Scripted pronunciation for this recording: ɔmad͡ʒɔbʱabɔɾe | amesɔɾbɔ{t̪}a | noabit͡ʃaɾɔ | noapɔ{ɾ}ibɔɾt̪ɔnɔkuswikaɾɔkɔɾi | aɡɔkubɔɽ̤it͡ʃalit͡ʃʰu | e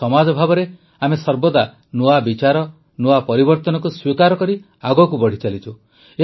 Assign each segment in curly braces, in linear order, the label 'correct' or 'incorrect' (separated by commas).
incorrect, correct